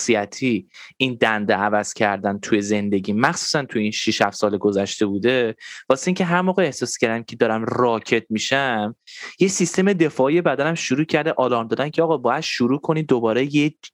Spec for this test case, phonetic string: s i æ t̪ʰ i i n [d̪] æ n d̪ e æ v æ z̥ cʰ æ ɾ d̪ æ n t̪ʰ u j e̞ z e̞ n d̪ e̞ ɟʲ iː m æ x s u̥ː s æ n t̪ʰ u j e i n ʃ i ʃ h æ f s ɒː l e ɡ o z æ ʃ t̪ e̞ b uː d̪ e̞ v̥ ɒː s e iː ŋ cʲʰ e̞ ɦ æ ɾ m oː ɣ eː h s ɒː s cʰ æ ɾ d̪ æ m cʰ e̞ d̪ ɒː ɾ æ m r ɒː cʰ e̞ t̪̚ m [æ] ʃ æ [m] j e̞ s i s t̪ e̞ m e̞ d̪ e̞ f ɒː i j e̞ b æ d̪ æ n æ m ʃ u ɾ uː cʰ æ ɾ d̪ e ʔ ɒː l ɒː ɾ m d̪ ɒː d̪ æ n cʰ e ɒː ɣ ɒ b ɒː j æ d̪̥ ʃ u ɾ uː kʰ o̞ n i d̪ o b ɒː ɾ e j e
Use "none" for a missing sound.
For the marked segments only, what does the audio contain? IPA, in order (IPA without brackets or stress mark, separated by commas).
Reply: d̪, i, m